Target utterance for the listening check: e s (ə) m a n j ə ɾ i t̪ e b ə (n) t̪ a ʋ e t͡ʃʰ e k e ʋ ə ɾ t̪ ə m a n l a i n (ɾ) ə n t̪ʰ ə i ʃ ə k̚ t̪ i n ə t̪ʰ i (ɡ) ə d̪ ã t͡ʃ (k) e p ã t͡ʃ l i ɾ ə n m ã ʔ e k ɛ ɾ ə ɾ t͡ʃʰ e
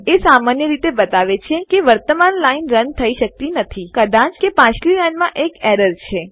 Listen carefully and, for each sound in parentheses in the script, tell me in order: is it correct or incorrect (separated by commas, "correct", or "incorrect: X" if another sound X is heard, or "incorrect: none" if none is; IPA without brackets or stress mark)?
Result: incorrect: a, incorrect: none, correct, incorrect: k, correct